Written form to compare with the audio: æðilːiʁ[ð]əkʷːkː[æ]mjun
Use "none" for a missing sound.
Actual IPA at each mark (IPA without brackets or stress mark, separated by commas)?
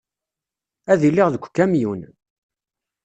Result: ð, æ